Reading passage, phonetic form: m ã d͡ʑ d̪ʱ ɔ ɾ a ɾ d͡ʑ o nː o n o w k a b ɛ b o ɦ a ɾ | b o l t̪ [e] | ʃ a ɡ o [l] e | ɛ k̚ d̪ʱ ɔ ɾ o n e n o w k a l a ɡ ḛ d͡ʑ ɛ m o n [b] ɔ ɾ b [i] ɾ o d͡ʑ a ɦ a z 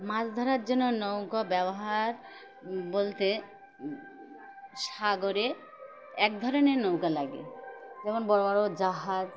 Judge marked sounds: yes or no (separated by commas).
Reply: yes, no, yes, no